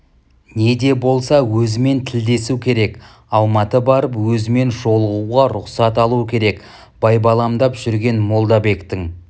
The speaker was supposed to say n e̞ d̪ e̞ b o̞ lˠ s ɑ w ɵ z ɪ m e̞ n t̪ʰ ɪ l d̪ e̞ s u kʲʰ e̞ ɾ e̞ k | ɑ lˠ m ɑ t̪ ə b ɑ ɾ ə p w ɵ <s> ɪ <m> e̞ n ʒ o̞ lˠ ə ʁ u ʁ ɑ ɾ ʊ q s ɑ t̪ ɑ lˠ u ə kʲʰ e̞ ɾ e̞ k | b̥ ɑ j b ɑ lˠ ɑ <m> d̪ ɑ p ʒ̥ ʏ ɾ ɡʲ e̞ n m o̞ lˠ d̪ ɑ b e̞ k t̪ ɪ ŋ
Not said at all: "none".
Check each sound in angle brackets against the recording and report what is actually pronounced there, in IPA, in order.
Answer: z, m, m

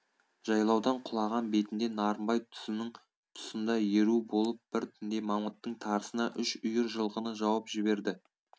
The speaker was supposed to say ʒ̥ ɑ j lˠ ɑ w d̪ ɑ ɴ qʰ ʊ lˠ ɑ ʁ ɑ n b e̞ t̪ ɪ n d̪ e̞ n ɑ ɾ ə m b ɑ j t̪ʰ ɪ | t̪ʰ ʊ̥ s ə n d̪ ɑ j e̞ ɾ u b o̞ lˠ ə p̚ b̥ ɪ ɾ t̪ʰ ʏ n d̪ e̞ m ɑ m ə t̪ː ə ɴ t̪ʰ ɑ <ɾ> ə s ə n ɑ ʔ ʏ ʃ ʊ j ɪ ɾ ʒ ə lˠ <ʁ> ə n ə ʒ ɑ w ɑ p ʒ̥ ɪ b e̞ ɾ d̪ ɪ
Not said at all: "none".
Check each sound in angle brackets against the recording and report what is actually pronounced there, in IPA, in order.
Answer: ɾ, ʁ

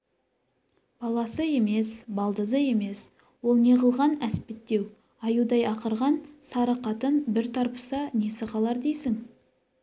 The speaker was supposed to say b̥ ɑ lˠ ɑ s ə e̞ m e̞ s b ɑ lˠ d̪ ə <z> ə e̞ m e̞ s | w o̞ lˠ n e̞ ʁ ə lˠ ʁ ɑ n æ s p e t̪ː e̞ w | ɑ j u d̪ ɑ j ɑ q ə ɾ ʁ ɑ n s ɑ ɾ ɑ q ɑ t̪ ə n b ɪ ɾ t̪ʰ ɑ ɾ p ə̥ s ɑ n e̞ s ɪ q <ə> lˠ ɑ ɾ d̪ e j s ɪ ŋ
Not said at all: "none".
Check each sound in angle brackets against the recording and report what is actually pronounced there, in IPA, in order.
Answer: z, ɑ

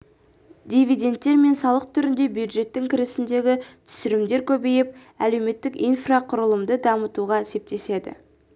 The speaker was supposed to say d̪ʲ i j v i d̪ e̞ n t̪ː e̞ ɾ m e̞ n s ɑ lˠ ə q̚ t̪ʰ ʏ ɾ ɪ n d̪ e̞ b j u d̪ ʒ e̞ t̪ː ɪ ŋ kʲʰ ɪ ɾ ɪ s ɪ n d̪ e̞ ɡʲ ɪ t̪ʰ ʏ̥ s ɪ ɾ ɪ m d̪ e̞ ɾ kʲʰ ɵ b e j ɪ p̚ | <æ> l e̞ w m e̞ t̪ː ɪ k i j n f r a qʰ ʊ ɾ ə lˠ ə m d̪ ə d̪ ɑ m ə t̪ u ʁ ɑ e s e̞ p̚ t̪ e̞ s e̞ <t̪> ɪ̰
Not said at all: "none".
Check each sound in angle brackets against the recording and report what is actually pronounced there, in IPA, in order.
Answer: æ, d̪

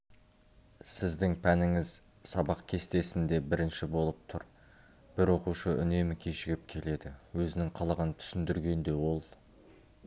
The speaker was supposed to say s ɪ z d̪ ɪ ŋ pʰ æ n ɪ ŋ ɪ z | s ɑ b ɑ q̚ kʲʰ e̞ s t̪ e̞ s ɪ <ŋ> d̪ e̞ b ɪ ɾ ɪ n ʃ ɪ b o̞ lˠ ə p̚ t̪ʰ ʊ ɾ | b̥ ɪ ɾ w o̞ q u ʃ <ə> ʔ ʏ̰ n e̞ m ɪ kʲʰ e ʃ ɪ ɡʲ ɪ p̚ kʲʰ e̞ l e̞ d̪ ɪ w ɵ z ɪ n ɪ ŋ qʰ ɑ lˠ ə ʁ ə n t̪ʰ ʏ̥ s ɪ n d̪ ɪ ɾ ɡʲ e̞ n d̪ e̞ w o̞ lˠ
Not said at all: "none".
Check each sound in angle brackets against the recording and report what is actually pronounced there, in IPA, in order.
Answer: n, ə

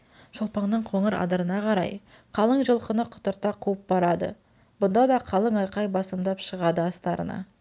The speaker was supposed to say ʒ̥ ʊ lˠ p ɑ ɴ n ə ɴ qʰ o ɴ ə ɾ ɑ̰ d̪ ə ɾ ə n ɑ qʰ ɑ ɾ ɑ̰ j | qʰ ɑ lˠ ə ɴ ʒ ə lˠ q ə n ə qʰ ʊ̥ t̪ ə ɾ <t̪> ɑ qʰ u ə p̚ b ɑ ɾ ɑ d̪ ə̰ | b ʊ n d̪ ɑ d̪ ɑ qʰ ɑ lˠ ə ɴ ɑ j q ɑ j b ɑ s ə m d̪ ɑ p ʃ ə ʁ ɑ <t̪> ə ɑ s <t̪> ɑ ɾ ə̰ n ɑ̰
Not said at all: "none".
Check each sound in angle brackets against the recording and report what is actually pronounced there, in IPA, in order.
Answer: t̪, d̪, t̪

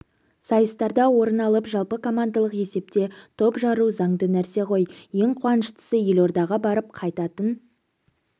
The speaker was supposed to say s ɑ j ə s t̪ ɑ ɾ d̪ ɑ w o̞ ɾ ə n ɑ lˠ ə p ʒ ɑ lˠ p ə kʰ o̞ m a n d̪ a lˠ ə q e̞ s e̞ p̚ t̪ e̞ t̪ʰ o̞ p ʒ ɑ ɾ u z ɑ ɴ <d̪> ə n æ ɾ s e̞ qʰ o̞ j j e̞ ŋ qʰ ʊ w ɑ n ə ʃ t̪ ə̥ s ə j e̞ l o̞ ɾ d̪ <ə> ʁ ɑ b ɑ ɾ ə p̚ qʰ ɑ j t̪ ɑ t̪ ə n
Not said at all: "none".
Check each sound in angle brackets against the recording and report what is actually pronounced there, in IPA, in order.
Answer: d̪, ɑ

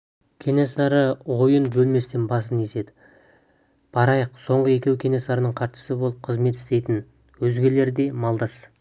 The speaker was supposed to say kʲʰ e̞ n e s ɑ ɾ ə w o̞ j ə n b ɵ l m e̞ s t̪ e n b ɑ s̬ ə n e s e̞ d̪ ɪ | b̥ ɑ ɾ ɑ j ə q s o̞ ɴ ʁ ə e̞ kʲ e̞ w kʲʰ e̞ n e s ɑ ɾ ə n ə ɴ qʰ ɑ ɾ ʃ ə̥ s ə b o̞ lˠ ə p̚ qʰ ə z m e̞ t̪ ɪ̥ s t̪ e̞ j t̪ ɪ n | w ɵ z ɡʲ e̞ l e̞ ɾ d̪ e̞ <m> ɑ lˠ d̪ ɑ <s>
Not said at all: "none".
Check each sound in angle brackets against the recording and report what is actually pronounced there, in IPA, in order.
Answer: m, s

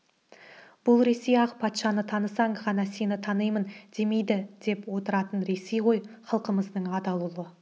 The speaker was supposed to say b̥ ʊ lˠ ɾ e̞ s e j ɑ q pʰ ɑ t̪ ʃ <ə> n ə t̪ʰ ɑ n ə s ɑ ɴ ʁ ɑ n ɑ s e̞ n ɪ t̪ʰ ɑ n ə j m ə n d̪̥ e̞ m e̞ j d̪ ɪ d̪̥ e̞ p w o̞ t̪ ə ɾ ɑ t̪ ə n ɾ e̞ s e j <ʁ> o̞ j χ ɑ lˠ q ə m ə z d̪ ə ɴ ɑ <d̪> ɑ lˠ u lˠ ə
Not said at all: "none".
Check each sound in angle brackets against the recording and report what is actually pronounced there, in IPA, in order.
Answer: ɑ, ʁ, d̪

